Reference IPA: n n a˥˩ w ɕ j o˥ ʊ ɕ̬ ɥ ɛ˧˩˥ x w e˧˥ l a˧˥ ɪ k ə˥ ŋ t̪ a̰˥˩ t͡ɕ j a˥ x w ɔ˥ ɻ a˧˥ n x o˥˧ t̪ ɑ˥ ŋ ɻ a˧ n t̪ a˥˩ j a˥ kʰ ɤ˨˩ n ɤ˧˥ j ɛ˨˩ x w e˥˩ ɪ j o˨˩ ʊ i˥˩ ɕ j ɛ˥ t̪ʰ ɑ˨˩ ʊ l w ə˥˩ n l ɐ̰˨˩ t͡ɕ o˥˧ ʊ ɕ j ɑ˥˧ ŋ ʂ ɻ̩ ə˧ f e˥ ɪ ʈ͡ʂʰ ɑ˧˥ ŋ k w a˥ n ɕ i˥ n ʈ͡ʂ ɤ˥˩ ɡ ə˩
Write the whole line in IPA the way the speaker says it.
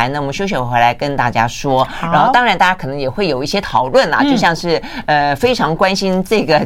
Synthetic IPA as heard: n n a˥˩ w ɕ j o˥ ʊ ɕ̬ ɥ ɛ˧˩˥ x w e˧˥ l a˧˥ ɪ k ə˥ n t̪ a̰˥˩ t͡ɕ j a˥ ʂ w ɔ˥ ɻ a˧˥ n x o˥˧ t̪ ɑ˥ ŋ ɻ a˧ n t̪ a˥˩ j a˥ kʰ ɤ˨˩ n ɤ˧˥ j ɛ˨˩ x w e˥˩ ɪ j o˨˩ ʊ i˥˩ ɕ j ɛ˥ t̪ʰ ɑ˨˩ ʊ l w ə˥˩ n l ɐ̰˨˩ t͡ɕ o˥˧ ʊ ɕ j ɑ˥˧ ŋ ʂ ɻ̩ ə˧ f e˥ ɪ ʈ͡ʂʰ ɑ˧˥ ŋ k w a˥ n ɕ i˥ n ʈ͡ʂ ɤ˥˩ ɡ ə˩